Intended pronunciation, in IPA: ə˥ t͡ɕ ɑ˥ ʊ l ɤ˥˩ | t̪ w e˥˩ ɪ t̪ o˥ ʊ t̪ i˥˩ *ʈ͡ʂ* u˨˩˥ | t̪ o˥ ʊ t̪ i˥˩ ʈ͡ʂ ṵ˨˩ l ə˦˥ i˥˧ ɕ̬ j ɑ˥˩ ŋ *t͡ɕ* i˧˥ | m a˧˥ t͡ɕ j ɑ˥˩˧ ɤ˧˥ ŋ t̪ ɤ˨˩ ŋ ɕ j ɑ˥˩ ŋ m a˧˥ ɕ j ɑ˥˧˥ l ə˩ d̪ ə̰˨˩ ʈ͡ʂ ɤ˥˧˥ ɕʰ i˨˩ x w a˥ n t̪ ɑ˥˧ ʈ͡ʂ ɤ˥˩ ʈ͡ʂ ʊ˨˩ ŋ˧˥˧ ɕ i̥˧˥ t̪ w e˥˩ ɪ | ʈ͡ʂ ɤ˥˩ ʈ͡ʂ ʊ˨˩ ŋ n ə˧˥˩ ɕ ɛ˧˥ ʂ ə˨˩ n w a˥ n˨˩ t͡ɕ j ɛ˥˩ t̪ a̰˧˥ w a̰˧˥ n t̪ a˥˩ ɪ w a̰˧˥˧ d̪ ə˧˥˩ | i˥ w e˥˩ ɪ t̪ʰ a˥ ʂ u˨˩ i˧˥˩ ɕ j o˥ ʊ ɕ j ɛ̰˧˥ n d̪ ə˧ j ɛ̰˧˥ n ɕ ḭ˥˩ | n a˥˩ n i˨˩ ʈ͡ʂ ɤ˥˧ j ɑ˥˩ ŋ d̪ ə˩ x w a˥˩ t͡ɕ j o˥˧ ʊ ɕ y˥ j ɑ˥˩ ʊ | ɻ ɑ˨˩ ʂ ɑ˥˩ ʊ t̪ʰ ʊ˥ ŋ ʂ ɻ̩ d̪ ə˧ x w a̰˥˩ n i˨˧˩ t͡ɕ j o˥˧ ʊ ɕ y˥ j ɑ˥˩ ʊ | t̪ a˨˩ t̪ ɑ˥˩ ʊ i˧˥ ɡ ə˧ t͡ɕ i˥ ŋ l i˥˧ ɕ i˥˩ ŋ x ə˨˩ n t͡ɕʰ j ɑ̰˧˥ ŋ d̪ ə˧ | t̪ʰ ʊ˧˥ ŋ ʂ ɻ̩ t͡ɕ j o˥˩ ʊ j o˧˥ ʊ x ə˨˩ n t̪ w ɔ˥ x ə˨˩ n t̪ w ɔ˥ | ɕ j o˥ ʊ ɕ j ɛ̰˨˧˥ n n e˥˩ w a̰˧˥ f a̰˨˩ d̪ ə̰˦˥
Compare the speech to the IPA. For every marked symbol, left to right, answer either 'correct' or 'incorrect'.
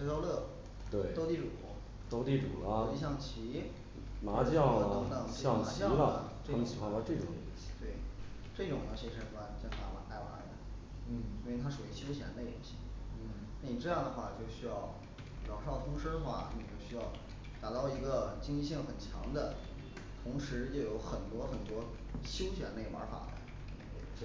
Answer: correct, incorrect: t͡ɕʰ

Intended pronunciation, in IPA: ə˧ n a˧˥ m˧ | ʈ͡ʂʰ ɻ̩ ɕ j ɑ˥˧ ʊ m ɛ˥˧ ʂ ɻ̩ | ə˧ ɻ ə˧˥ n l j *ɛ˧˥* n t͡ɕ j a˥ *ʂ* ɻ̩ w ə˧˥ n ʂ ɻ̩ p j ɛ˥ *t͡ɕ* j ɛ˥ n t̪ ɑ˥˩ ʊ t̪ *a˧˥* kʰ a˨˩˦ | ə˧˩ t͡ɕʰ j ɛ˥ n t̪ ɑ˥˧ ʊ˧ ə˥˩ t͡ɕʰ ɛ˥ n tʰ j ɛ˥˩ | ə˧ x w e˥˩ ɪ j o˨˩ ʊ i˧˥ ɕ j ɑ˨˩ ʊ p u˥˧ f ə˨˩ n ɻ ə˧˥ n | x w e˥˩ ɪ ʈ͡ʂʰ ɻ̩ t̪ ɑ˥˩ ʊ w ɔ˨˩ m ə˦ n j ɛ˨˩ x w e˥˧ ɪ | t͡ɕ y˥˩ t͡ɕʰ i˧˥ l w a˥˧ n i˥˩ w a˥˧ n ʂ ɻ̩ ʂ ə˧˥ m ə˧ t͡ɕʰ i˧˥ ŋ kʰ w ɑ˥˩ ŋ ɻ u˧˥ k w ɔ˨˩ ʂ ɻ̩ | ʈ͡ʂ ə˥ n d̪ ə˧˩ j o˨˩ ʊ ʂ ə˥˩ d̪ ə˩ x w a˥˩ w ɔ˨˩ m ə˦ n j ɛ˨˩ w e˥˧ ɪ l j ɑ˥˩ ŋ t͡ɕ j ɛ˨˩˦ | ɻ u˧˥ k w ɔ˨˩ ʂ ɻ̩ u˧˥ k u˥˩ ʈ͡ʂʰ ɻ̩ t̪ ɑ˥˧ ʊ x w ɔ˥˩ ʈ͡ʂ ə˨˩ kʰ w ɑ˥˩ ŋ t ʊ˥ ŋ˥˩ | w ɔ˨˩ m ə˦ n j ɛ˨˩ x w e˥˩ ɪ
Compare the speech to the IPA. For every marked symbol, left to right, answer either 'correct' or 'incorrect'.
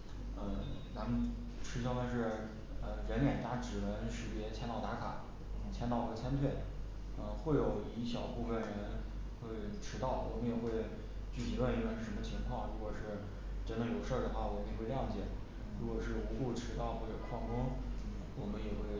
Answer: incorrect: ɛ˨˩, incorrect: ʈ͡ʂ, incorrect: t͡ɕʰ, correct

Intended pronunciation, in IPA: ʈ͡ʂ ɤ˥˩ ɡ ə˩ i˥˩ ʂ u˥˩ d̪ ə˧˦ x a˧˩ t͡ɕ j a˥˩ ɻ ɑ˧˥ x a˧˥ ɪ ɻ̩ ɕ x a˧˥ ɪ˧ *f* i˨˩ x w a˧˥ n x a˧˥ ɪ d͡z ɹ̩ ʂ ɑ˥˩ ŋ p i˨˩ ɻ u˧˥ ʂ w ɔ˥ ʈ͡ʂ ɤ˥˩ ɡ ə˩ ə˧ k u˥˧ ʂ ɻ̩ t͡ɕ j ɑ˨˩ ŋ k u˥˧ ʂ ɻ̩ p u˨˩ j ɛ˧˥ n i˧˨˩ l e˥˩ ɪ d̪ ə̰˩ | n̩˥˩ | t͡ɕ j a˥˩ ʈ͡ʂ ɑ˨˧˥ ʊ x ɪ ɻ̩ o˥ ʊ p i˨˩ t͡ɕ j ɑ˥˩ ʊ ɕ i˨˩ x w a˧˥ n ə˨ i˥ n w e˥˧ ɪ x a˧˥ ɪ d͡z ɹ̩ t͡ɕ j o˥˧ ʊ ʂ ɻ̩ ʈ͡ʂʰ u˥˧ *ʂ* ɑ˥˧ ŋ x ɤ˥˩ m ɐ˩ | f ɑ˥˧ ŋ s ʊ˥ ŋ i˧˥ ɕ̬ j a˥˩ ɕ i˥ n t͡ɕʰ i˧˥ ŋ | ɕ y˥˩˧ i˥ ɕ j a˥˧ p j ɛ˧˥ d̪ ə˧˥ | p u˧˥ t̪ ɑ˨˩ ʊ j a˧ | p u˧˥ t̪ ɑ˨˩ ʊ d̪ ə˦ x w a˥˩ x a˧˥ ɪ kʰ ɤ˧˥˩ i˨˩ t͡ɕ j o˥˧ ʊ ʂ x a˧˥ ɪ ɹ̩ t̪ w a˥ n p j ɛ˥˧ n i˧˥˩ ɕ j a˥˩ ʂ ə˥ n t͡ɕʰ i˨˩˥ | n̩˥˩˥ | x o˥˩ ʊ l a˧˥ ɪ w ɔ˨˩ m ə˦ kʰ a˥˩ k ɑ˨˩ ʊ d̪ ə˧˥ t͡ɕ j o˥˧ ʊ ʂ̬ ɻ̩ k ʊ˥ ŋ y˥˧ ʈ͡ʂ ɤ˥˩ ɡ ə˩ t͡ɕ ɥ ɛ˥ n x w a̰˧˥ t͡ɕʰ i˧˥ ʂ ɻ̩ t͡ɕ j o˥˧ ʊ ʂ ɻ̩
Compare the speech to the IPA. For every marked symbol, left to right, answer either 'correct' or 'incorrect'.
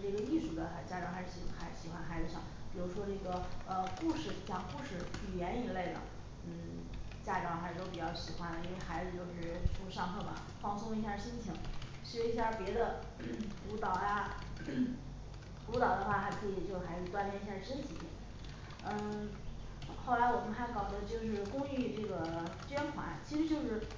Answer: incorrect: ɕ, correct

